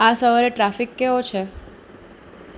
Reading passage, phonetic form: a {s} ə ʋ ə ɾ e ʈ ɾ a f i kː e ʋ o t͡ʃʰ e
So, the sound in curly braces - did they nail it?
yes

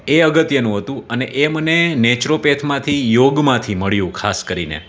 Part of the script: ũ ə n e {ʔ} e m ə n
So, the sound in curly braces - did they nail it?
yes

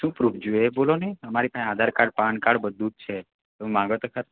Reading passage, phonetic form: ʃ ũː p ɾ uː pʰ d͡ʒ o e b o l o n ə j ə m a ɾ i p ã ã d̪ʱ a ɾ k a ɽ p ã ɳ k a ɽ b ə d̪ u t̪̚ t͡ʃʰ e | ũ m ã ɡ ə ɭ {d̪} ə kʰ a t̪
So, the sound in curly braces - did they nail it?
no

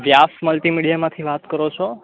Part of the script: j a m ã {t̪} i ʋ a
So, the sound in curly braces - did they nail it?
no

